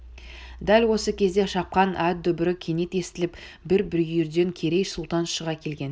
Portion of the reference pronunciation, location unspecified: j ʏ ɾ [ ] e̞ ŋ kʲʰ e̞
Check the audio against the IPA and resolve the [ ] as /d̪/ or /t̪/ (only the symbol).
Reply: d̪